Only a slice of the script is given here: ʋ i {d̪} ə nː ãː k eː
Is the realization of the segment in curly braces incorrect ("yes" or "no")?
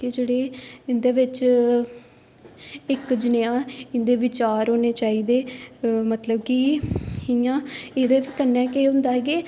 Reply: yes